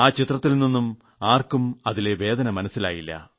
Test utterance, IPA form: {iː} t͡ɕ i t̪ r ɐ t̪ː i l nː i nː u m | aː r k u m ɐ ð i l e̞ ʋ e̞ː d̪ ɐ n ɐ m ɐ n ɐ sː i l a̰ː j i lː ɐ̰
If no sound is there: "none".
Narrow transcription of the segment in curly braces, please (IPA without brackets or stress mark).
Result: aː